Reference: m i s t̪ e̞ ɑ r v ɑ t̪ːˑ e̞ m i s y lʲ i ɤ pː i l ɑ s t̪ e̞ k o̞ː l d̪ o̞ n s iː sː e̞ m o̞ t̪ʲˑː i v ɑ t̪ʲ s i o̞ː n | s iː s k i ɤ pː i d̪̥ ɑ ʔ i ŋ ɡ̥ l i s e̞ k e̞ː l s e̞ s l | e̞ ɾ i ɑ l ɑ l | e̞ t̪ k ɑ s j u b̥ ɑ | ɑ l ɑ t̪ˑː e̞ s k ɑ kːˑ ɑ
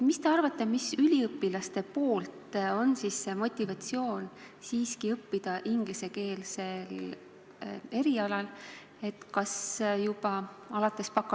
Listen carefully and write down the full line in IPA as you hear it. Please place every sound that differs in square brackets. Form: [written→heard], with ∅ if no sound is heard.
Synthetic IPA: m i s t̪ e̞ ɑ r v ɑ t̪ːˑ e̞ m i s y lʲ i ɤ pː i l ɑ s t̪ e̞ [k→p] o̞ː l [d̪→t̪] o̞ n s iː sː e̞ m o̞ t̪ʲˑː i v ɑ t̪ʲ s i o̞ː n | s iː s k i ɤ pː i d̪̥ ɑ ʔ i ŋ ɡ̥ l i s e̞ k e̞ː l s e̞ [s→∅] l | e̞ ɾ i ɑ l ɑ l | e̞ t̪ k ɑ s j u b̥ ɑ | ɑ l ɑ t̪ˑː e̞ s [k→p] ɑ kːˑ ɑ